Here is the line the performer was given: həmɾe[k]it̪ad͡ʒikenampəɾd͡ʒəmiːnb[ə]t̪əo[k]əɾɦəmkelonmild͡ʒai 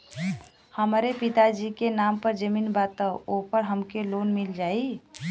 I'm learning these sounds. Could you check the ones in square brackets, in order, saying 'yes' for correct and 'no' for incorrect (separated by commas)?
no, no, no